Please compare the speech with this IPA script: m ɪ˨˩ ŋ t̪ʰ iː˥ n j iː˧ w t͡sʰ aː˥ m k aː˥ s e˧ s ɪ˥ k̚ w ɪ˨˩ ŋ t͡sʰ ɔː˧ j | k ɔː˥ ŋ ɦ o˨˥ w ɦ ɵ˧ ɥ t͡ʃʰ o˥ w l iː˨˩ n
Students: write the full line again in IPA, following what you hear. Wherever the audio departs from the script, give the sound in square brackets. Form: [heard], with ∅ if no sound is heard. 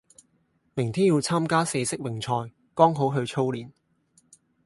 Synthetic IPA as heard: m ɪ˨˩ ŋ t̪ʰ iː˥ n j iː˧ w t͡sʰ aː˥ m k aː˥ s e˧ s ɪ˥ k̚ w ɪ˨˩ ŋ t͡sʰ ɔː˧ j | k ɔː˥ ŋ ɦ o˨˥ w ɦ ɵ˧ ɥ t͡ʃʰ o˥ w l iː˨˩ n